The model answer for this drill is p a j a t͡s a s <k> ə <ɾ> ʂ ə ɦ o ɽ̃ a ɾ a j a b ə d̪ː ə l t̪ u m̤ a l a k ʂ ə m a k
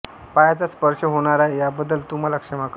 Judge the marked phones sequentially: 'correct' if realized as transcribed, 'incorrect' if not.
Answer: incorrect, correct

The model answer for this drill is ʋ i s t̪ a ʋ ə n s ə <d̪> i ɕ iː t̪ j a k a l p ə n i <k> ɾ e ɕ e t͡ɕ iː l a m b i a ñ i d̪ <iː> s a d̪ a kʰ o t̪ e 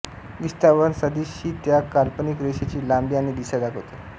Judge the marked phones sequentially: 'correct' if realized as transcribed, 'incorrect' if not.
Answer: correct, correct, incorrect

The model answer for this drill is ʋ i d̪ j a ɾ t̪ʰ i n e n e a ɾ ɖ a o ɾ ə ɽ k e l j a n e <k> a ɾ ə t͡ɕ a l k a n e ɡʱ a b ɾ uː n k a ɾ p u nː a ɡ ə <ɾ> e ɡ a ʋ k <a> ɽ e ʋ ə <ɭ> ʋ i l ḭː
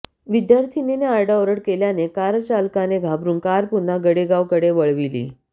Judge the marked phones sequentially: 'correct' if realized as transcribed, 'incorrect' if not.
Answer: correct, incorrect, incorrect, correct

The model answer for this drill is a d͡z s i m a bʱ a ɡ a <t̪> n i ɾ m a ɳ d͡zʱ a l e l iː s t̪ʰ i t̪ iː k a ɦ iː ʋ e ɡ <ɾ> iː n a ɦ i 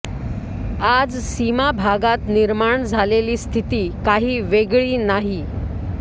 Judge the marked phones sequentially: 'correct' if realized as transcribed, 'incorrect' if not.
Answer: correct, incorrect

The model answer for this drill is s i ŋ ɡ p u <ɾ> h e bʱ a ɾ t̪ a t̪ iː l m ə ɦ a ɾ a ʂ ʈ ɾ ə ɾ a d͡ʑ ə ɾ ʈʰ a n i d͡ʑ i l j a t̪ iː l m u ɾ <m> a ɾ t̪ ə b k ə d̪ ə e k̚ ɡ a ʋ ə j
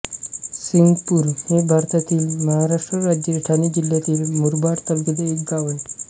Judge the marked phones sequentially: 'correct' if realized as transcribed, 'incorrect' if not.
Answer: correct, incorrect

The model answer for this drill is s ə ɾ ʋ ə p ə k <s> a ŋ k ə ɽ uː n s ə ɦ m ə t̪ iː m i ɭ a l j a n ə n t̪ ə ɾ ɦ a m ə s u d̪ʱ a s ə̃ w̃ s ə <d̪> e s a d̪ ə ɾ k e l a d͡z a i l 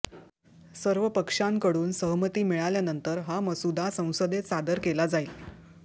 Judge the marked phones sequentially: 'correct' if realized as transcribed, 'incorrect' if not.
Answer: incorrect, correct

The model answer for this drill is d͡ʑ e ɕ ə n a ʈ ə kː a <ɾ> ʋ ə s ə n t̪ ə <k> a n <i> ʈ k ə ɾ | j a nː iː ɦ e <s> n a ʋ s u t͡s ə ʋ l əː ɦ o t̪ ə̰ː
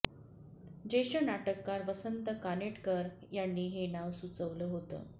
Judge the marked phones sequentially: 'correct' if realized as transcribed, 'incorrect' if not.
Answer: correct, correct, incorrect, incorrect

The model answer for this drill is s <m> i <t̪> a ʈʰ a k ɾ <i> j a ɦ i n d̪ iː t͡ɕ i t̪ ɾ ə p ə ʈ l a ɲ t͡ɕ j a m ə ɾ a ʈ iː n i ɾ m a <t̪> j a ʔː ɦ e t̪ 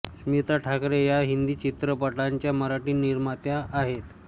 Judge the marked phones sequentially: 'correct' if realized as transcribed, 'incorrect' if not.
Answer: correct, correct, incorrect, correct

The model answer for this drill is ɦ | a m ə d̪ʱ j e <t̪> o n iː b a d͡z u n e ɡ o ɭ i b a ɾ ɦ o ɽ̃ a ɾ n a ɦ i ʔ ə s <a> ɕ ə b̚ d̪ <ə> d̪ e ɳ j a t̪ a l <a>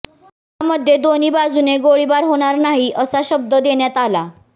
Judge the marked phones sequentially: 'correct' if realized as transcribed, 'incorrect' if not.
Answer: incorrect, correct, correct, correct

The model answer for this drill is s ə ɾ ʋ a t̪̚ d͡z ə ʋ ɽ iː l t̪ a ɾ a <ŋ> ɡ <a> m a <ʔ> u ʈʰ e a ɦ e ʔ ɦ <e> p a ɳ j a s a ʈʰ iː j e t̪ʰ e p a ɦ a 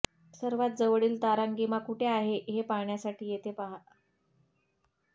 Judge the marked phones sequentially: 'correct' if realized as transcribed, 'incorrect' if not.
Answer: correct, incorrect, incorrect, correct

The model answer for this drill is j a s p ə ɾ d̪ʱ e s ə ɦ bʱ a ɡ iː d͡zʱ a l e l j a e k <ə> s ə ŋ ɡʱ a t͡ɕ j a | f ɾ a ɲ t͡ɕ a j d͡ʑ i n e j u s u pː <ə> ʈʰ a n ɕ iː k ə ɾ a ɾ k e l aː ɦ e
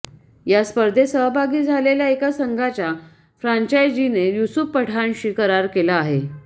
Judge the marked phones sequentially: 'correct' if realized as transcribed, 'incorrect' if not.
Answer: incorrect, correct

